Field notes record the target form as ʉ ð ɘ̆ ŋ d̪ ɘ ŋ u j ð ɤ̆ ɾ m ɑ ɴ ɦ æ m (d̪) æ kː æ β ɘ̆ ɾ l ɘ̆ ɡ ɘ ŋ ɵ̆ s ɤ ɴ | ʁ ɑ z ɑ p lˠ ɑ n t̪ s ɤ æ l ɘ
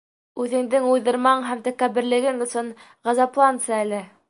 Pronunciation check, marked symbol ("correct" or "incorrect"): incorrect